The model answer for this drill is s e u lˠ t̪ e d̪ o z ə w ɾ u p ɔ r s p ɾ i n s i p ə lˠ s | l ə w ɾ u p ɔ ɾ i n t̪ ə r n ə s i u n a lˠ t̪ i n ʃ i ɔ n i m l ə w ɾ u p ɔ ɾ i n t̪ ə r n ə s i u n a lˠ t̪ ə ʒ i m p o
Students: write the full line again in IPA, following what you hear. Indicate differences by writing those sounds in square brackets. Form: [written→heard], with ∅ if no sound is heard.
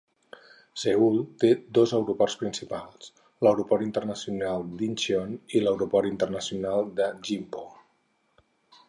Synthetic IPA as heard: s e u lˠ t̪ e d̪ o z ə w ɾ u p ɔ r s p ɾ i n s i p [ə→a] lˠ s | l ə w ɾ u p ɔ ɾ i n t̪ ə r n ə s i u n a lˠ [t̪→d̪] i n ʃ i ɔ n i [m→∅] l ə w ɾ u p ɔ ɾ i n t̪ ə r n ə s i u n a lˠ [t̪→d̪] ə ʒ i m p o